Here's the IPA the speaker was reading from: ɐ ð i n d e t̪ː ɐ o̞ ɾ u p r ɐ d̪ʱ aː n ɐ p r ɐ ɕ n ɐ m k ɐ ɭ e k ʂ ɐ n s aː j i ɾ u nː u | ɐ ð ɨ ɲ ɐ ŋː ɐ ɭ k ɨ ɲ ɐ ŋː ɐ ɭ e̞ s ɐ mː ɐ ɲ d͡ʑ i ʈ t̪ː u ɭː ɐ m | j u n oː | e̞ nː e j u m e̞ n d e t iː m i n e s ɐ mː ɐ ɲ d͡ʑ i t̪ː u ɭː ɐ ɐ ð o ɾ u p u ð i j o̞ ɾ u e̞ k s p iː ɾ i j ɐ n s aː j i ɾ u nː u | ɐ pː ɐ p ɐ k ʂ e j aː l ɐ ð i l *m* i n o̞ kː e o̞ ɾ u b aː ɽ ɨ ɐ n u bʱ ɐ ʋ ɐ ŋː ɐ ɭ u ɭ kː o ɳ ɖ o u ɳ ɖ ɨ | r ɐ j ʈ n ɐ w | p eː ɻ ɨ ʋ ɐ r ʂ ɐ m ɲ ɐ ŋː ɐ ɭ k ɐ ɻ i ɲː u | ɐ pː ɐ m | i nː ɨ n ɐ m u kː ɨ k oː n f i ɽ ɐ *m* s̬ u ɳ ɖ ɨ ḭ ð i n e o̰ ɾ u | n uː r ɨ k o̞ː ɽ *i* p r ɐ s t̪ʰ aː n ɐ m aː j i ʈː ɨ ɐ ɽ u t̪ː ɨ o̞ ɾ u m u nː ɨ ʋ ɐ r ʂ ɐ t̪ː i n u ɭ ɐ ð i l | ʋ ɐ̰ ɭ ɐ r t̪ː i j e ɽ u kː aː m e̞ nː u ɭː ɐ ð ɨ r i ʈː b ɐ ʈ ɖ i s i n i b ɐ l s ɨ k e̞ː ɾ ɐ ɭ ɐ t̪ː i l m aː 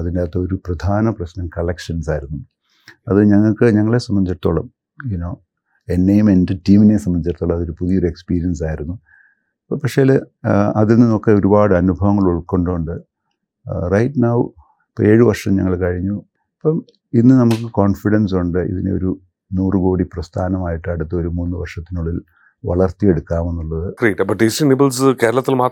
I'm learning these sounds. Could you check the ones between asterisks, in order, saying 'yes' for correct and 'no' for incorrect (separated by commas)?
no, no, yes